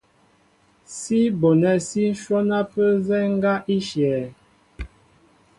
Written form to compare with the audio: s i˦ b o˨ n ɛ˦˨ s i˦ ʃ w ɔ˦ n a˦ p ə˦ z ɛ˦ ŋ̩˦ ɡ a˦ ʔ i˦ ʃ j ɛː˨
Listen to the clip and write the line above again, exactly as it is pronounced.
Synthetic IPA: s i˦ b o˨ n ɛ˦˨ s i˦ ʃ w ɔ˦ n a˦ p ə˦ z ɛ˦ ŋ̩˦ ɡ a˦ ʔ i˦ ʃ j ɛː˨